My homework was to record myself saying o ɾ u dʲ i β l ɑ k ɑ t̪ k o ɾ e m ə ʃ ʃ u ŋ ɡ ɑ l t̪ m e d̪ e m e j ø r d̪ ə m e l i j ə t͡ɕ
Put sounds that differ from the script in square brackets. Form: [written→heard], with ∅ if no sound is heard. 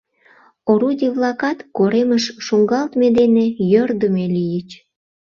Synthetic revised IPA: o ɾ u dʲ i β l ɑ k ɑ t̪ k o ɾ e m ə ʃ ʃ u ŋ ɡ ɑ l t̪ m e d̪ e [m→n] e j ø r d̪ ə m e l i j ə t͡ɕ